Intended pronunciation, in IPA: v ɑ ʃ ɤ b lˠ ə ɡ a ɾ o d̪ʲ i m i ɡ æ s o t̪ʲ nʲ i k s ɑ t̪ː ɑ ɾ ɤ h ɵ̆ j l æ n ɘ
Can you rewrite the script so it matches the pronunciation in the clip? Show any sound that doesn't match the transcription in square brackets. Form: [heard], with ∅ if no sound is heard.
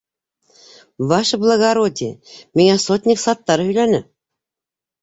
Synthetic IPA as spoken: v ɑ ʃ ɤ b lˠ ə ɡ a ɾ o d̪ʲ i m i [ŋ] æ s o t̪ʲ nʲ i k s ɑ t̪ː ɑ ɾ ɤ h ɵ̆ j l æ n ɘ